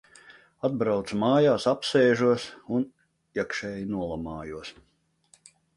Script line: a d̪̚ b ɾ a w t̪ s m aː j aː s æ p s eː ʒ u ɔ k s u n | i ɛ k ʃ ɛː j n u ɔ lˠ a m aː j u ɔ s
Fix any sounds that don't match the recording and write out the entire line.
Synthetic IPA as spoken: a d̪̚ b ɾ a w t̪ s m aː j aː s a p s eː ʒ u ɔ s u n | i ɛ k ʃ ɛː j n u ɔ lˠ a m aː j u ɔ s

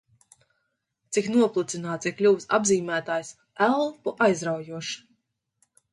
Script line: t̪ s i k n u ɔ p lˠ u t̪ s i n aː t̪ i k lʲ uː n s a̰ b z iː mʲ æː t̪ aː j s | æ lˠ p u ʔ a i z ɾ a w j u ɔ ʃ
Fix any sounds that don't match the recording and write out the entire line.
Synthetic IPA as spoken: t̪ s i k n u ɔ p lˠ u t̪ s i n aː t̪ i k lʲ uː s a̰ b z iː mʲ æː t̪ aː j s | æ lˠ p u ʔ a j z ɾ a w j u ɔ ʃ

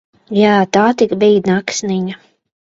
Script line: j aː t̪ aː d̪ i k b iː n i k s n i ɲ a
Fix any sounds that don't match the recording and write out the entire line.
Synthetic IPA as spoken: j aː t̪ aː t̪ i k b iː n a k s n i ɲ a

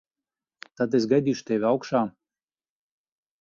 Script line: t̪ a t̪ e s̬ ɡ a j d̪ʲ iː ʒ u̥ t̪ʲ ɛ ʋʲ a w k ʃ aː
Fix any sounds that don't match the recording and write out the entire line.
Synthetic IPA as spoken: t̪ a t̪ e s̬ ɡ a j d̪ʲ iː ʃ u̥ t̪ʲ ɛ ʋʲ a w k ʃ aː

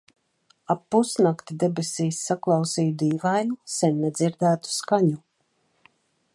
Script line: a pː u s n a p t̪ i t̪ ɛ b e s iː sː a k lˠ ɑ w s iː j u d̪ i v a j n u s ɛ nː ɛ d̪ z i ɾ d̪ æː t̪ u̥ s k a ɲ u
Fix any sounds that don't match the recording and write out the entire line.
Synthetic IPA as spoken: a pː u s n a k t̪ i d̪ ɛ b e s iː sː a k lˠ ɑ w s iː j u d̪ iː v a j n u s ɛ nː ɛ d̪ z i ɾ d̪ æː t̪ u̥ s k a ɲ u

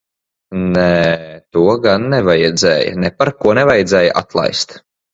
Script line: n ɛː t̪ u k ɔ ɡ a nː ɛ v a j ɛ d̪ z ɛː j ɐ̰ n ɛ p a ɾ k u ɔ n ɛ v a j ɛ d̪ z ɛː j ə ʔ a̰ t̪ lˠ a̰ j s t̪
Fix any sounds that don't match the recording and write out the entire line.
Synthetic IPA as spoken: n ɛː t̪ u ɔ ɡ a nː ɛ v a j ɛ d̪ z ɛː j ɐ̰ n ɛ p a ɾ k u ɔ n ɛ v a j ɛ d̪ z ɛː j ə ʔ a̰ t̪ lˠ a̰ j s t̪

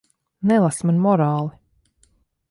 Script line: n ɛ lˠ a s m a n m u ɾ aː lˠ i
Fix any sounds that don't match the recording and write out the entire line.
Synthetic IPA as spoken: n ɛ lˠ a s m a n m ɔ ɾ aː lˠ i

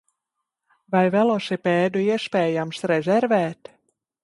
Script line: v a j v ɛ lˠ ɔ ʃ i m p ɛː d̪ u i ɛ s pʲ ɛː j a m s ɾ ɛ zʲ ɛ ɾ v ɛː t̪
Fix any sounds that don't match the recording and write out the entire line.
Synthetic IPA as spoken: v a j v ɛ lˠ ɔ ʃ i p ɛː d̪ u i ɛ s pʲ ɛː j a m s ɾ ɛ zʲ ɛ ɾ v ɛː t̪

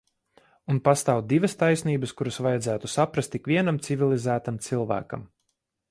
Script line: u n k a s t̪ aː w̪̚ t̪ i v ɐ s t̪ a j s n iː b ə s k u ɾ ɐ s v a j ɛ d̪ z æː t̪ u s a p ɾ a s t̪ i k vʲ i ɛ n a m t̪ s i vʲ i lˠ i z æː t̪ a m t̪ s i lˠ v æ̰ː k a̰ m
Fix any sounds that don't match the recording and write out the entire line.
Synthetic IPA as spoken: u n p a s t̪ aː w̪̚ d̪ i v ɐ s t̪ a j s n iː b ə s k u ɾ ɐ s v a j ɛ d̪ z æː t̪ u s a p ɾ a s t̪ i k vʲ i ɛ n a m t̪ s i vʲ i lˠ i z æː t̪ a m t̪ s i lˠ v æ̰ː k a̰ m

